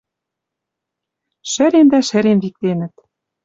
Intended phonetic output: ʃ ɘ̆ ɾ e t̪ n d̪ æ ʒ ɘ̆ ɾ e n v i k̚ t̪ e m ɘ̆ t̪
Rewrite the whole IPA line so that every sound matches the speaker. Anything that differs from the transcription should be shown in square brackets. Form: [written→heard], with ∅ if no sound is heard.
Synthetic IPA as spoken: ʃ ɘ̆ ɾ e [t̪→∅] n d̪ æ [ʒ→ʃ] ɘ̆ ɾ e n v i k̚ t̪ e [m→n] ɘ̆ t̪

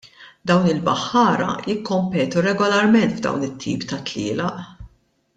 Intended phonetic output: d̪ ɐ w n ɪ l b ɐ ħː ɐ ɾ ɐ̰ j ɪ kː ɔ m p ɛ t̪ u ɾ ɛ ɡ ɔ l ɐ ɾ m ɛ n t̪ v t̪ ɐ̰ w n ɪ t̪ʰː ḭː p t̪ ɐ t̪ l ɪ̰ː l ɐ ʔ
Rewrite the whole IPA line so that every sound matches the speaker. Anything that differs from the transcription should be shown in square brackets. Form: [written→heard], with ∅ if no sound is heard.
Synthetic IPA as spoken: d̪ ɐ w n ɪ l b ɐ ħː [ɐ→ɐː] ɾ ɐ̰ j ɪ kː ɔ m p [ɛ→ɛː] t̪ u ɾ ɛ ɡ ɔ l ɐ ɾ m ɛ n t̪ v [t̪→d̪] ɐ̰ w n ɪ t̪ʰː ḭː p t̪ ɐ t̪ l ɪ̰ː l ɐ ʔ

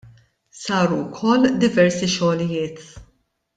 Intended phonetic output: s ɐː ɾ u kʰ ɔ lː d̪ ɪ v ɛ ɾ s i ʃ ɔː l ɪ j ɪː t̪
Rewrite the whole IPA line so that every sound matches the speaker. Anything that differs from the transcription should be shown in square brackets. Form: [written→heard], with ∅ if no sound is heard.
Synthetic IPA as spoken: s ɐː ɾ u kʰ ɔ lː d̪ ɪ v ɛ ɾ s i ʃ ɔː l ɪ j ɪː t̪

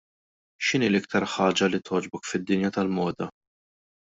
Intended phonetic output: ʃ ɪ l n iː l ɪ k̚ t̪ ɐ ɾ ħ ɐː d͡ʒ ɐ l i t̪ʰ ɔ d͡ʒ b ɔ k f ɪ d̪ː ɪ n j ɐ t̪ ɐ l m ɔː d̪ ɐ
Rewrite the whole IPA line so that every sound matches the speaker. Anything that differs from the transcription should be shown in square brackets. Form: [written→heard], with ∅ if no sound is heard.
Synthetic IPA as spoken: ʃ ɪ [l→∅] n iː l ɪ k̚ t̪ ɐ ɾ ħ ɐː d͡ʒ ɐ l i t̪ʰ [ɔ→ɔː] d͡ʒ b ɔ k f ɪ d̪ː ɪ n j ɐ t̪ ɐ l m ɔː d̪ ɐ

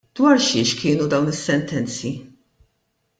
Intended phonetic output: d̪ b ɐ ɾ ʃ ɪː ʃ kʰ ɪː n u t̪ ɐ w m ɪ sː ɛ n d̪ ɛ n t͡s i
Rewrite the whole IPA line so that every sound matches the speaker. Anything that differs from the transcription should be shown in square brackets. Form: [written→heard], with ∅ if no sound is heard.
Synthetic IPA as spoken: d̪ [b→w] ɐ ɾ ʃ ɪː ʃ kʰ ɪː n u [t̪→d̪] ɐ w [m→n] ɪ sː ɛ n [d̪→t̪] ɛ n t͡s i

